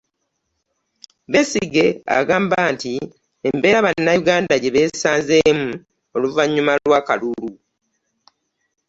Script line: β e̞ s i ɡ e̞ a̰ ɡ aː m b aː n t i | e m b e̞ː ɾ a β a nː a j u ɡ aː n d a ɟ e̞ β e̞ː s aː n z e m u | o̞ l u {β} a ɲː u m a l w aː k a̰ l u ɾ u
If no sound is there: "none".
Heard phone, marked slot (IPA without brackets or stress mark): v